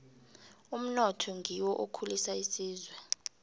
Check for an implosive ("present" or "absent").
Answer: absent